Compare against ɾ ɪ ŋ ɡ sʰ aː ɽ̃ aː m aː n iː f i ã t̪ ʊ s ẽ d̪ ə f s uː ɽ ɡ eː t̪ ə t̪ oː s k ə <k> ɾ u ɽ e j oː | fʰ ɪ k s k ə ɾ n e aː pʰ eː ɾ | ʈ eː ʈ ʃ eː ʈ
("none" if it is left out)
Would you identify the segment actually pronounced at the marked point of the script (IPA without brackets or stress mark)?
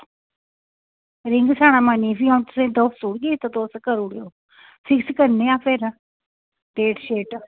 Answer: none